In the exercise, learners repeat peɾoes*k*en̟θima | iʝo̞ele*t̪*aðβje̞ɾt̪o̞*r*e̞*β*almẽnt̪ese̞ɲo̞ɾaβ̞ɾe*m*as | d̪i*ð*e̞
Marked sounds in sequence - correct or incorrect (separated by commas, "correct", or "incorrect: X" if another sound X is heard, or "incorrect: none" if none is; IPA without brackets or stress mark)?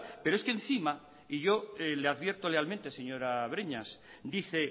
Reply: correct, incorrect: none, incorrect: l, incorrect: none, incorrect: ɲ, incorrect: θ